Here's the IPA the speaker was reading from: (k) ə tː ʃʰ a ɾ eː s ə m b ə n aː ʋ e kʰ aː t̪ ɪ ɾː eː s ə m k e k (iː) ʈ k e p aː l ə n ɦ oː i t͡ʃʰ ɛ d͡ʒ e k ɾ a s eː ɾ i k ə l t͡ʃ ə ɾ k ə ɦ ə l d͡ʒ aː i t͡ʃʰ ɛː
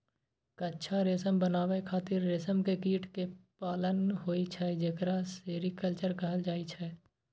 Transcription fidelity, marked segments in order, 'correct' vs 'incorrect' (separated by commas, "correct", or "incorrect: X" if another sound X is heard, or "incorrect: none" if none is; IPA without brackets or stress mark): correct, correct